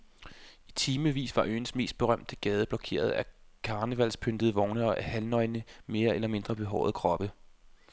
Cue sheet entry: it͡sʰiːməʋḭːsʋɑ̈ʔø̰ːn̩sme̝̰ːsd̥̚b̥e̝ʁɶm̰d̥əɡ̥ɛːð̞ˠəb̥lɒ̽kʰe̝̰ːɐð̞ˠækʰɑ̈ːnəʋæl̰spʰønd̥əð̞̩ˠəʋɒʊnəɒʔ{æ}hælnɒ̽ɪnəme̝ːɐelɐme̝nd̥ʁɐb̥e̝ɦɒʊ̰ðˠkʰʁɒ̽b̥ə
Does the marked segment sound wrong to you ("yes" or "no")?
no